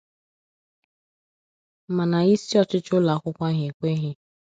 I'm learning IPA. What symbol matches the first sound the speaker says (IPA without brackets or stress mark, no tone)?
m